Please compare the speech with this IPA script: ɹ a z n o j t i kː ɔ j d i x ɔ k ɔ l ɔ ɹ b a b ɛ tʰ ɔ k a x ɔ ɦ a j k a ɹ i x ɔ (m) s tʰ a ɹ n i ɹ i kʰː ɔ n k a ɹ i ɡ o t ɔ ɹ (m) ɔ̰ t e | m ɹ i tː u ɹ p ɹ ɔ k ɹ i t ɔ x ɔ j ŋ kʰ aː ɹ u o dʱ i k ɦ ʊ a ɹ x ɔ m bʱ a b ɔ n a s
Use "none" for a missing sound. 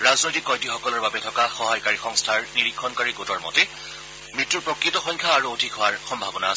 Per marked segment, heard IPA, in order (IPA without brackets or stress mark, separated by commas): ŋ, m